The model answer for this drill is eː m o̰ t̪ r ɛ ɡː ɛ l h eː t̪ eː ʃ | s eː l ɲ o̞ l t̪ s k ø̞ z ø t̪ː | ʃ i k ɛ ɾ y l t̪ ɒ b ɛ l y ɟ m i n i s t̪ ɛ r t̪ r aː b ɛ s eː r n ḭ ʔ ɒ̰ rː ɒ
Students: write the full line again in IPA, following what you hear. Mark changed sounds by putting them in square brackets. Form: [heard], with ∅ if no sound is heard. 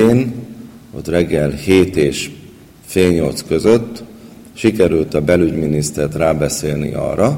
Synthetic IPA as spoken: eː [n] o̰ t̪ r ɛ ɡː ɛ l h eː t̪ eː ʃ | [f] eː l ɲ o̞ l t̪ s k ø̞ z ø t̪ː | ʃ i k ɛ ɾ y l t̪ ɒ b ɛ l y ɟ m i n i s t̪ ɛ r t̪ r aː b ɛ s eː [l] n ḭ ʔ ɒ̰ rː ɒ